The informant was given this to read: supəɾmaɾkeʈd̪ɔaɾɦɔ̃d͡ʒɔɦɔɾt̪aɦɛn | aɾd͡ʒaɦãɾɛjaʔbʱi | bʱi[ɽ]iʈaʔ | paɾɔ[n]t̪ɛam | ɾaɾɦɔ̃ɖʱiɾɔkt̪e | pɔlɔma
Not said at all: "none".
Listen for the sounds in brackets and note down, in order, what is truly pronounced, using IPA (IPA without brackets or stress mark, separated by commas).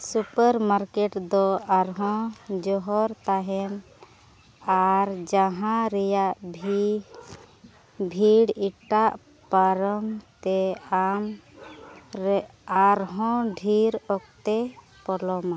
ɽ, m